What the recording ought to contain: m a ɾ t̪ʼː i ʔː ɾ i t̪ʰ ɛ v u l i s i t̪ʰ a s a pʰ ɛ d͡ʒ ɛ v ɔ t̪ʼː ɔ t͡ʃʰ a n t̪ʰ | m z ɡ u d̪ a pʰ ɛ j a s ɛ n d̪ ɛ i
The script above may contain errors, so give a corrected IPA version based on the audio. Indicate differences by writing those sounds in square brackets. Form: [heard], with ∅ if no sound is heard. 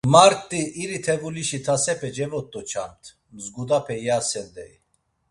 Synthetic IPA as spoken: m a ɾ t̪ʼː i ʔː ɾ i t̪ʰ ɛ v u l i [ʃ] i t̪ʰ a s [ɛ] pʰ ɛ d͡ʒ ɛ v ɔ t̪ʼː ɔ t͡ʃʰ a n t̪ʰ | m z ɡ u d̪ a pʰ ɛ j a s ɛ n d̪ ɛ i